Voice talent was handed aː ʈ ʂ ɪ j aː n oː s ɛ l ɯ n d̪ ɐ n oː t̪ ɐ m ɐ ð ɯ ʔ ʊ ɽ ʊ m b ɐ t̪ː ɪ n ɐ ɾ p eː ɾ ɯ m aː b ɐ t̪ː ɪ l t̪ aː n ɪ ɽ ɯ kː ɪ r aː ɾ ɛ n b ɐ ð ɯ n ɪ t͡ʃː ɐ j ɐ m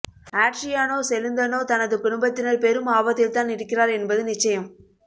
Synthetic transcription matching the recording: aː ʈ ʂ ɪ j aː n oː s ɛ l ɯ n d̪ ɐ n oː t̪ ɐ n ɐ ð ɯ k ʊ ɽ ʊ m b ɐ t̪ː ɪ n ɐ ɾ p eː ɾ ɯ m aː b ɐ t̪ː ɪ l t̪ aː n ɪ ɽ ɯ kː ɪ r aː ɾ ɛ n b ɐ ð ɯ n ɪ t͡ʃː ɐ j ɐ m

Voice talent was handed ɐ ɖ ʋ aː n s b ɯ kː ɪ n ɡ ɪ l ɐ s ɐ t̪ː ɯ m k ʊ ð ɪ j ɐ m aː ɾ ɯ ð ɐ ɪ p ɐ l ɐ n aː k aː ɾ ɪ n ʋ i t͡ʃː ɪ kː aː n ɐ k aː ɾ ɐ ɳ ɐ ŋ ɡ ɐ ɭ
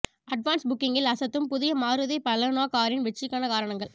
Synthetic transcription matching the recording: ɐ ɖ ʋ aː n s b ʊ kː ɪ ŋ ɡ ɪ l ɐ s ɐ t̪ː ɯ m p ʊ ð ɪ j ɐ m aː ɾ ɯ ð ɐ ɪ p ɐ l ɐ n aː k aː ɾ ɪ n ʋ ɛ t͡ʃː ɪ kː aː n ɐ k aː ɾ ɐ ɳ ɐ ŋ ɡ ɐ ɭ

